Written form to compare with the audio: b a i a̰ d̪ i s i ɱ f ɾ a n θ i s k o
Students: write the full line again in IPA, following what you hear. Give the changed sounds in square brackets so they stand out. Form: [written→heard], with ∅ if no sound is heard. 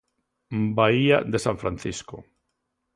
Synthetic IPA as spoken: b a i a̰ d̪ [i→e] s [i→a] ɱ f ɾ a n θ i s k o